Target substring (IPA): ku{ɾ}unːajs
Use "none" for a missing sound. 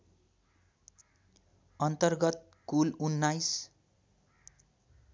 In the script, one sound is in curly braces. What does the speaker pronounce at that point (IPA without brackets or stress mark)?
l